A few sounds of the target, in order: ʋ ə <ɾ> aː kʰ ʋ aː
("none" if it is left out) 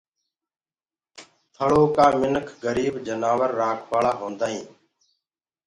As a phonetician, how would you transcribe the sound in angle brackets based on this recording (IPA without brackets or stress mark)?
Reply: ɾː